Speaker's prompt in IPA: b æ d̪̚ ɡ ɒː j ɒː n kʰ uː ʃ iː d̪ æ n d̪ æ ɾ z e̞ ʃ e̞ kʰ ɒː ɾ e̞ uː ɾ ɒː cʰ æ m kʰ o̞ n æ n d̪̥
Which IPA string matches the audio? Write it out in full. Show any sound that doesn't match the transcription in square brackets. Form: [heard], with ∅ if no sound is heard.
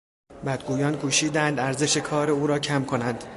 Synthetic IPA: b æ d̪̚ ɡ [uː] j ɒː n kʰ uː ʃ iː d̪ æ n d̪ æ ɾ z e̞ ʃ e̞ kʰ ɒː ɾ e̞ uː ɾ ɒː cʰ æ m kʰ o̞ n æ n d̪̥